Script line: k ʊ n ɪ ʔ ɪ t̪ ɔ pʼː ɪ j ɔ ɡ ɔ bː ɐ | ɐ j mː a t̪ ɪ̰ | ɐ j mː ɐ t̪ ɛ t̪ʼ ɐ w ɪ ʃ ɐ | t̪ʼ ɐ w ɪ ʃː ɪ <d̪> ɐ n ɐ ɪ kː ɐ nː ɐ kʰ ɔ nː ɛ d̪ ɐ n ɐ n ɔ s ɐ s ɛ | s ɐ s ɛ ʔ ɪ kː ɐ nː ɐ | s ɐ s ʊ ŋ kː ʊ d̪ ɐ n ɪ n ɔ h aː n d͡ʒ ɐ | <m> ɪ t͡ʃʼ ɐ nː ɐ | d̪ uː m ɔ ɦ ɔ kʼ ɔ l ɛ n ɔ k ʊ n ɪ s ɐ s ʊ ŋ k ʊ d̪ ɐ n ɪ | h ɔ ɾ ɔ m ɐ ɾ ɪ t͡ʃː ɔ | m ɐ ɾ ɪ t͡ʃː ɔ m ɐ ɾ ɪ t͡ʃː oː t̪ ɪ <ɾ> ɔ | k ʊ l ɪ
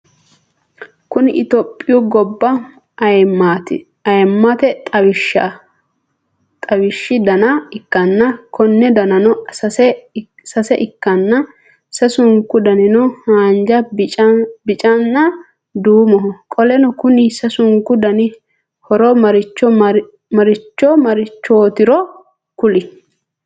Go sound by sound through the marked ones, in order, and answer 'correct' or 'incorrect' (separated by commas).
correct, incorrect, correct